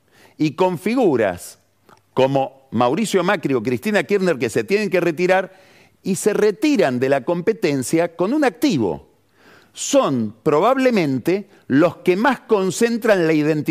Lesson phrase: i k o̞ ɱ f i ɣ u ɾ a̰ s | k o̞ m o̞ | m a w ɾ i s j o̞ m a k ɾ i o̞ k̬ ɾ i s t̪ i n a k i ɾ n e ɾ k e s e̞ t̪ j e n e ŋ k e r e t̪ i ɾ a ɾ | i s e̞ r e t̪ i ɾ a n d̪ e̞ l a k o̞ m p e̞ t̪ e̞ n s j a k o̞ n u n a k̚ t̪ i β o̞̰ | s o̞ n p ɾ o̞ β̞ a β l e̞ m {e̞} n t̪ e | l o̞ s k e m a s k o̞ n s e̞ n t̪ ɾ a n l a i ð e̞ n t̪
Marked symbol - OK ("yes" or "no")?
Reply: no